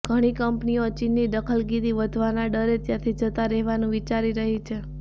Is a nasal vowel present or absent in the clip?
present